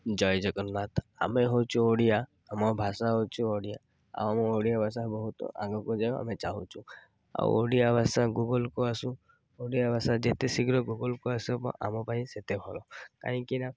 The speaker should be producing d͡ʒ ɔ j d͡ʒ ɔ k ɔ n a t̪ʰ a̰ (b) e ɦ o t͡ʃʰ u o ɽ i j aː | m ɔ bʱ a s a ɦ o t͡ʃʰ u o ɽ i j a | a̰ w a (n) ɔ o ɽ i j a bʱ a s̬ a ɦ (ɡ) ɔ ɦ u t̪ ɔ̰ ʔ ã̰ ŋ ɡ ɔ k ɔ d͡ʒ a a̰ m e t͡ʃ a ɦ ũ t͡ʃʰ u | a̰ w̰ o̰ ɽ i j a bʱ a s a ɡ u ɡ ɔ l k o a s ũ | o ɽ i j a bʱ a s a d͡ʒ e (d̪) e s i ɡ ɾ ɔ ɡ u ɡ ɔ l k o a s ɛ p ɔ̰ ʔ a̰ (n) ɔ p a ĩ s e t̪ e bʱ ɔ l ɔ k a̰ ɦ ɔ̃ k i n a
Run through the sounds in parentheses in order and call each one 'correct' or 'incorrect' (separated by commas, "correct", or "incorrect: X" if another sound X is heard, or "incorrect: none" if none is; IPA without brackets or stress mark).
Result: incorrect: m, incorrect: m, incorrect: b, incorrect: t̪, incorrect: m